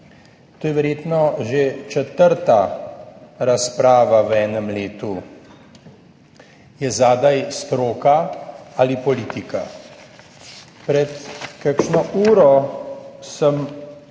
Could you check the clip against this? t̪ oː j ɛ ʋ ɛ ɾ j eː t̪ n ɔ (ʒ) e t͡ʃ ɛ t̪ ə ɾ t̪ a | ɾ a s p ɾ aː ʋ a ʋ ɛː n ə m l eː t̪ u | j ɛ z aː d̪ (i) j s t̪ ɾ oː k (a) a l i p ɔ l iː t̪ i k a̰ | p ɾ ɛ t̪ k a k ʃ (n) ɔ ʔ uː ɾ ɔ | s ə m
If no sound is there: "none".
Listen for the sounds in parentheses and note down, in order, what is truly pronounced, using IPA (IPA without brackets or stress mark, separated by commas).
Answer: ʒ, a, a, n